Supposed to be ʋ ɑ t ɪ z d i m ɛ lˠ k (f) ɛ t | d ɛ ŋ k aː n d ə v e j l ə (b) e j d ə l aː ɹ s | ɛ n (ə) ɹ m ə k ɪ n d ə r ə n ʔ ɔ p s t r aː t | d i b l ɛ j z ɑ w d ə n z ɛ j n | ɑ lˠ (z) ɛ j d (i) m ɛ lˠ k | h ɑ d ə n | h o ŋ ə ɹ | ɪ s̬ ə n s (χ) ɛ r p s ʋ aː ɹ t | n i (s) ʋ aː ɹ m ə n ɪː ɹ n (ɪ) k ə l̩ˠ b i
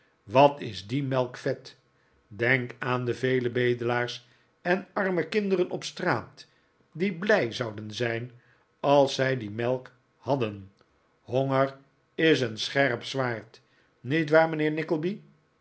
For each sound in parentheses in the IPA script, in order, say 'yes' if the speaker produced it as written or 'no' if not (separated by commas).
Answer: yes, yes, no, no, yes, yes, no, yes